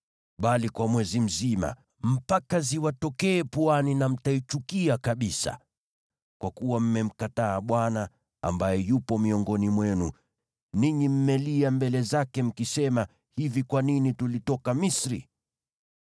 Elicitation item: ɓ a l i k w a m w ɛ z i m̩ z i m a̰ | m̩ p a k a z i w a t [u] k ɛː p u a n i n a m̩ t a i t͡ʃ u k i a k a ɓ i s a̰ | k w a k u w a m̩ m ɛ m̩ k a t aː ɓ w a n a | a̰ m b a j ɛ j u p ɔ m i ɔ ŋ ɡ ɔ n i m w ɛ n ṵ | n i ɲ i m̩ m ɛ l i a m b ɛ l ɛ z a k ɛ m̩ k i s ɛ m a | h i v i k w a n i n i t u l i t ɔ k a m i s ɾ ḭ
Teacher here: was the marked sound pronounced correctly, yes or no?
no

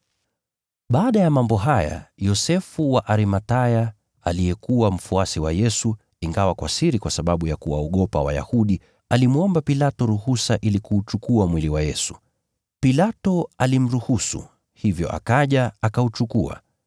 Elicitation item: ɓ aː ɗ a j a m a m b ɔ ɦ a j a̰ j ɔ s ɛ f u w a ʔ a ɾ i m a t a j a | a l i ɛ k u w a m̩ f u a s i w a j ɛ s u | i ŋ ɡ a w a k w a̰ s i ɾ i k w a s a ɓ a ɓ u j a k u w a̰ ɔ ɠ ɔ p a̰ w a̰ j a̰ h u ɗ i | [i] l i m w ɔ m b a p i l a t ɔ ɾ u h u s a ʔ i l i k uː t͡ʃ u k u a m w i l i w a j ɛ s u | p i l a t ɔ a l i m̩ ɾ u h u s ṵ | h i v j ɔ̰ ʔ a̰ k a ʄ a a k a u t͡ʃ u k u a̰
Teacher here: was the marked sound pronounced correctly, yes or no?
no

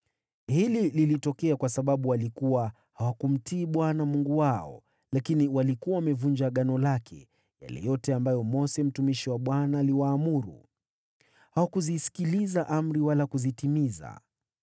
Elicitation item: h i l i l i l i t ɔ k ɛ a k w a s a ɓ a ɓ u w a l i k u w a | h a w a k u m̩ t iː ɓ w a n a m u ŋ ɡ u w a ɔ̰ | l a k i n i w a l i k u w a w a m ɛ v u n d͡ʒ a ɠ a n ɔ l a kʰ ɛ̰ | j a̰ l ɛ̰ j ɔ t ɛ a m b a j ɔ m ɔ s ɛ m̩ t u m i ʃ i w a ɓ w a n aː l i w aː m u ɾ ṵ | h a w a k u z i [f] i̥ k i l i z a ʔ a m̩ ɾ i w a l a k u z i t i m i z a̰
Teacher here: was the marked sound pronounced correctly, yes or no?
no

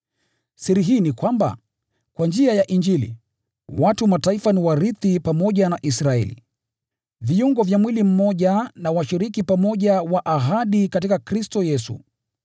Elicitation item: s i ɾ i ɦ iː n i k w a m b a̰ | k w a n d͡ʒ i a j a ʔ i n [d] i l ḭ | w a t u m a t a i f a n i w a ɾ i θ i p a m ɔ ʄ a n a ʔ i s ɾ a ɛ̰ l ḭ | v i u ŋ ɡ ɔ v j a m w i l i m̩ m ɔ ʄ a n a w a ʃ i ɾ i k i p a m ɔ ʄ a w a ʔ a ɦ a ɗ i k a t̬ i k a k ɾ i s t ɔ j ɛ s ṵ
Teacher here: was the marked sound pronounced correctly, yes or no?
no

